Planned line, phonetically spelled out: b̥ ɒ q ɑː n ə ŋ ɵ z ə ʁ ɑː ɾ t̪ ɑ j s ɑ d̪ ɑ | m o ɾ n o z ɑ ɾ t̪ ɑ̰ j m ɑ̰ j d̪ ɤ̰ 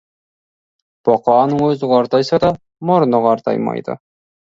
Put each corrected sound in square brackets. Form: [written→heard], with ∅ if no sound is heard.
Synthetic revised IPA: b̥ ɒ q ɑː n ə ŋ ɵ z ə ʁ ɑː ɾ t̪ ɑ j s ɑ d̪ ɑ | m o ɾ n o [z→ʁ] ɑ ɾ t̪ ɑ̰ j m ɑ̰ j d̪ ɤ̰